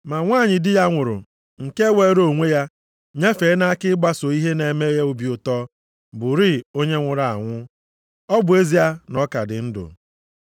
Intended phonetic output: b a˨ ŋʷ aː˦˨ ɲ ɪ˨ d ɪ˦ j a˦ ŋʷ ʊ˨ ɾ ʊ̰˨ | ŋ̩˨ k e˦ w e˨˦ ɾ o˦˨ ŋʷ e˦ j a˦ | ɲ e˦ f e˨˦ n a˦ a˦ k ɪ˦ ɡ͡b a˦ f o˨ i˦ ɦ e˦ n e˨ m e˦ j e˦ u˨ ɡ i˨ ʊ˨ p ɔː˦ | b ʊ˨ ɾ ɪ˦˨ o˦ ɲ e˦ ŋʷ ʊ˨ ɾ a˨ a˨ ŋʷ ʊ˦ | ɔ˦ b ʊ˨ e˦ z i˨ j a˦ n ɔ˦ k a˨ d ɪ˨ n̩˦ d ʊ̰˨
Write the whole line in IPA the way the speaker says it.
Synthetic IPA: m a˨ ŋʷ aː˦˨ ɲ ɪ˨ d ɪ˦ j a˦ ŋʷ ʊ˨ ɾ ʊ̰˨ | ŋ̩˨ k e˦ w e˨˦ ɾ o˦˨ ŋʷ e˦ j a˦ | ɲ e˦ f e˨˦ n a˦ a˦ k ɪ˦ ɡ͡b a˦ s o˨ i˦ ɦ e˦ n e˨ m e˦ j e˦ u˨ b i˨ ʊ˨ t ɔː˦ | b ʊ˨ ɾ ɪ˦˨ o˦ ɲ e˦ ŋʷ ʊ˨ ɾ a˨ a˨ ŋʷ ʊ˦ | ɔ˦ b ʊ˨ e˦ z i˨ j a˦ n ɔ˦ k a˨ d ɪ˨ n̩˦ d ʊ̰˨

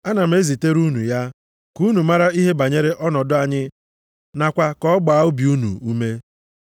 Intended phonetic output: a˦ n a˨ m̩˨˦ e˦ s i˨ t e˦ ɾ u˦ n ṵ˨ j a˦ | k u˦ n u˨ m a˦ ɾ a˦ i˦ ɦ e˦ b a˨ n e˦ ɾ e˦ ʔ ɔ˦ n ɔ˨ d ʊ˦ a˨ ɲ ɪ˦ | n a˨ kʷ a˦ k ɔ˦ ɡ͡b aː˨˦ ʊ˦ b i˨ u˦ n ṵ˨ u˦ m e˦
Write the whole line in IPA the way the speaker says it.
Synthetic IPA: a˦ n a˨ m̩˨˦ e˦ z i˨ t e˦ ɾ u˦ n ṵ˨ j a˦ | k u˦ n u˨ m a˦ ɾ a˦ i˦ ɦ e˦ b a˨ ɲ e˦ ɾ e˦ ʔ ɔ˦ n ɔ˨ d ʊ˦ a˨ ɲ ɪ˦ | n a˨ kʷ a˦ k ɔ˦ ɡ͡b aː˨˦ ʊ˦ b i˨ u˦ n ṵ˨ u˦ m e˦

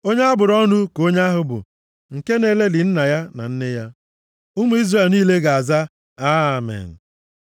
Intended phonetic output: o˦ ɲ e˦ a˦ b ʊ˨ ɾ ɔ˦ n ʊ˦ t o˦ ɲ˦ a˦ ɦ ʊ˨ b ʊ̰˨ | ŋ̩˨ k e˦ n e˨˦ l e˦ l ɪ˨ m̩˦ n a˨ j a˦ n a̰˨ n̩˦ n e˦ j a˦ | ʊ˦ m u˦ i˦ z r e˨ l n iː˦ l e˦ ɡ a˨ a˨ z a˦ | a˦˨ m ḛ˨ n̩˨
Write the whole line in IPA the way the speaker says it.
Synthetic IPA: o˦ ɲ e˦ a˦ b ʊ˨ ɾ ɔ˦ n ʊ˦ k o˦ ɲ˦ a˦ ɦ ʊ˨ b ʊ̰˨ | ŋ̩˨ k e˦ n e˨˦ l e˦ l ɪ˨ n̩˦ n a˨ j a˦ n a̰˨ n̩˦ n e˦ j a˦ | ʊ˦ m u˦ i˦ z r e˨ l n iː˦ l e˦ ɡ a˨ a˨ z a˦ | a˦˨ m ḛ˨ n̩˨

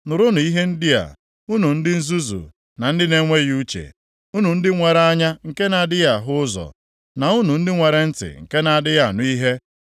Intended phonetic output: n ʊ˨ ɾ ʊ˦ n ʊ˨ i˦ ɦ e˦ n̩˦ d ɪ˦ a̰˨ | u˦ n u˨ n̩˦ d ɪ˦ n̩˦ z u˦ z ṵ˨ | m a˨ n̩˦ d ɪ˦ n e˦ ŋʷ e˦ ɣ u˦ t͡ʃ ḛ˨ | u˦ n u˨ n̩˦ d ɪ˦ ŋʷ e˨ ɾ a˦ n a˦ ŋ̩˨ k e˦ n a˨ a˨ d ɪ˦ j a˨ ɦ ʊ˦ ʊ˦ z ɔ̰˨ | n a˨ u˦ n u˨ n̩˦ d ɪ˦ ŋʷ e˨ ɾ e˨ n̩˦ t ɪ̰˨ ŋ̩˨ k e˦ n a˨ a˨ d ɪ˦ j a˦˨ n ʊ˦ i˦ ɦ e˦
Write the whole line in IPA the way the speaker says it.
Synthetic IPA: n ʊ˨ ɾ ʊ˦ n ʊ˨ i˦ ɦ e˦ n̩˦ d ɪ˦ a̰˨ | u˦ n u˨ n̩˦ d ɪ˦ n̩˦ z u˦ z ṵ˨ | n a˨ n̩˦ d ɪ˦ n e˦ ŋʷ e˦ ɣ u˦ t͡ʃ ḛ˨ | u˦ n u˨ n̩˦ d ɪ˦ ŋʷ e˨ ɾ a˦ ɲ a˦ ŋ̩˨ k e˦ n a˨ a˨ d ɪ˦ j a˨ ɦ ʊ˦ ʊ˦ z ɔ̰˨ | n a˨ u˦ n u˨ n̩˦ d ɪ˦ ŋʷ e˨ ɾ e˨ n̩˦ t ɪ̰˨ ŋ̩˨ k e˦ n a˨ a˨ d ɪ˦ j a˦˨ n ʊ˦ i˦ ɦ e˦

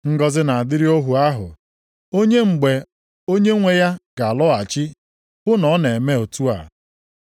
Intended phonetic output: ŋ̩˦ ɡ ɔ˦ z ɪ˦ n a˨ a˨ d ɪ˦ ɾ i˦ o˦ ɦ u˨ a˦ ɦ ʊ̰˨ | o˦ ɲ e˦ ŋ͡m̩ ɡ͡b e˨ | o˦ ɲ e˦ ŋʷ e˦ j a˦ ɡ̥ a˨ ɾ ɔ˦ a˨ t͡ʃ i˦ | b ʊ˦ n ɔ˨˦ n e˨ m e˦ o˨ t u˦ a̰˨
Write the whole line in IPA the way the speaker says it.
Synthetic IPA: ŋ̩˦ ɡ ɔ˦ z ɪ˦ n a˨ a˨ d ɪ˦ ɾ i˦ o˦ ɦ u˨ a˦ ɦ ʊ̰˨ | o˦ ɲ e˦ ŋ͡m̩ ɡ͡b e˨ | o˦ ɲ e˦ ŋʷ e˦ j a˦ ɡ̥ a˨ l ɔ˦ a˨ t͡ʃ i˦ | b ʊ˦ n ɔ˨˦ n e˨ m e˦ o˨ t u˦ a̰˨

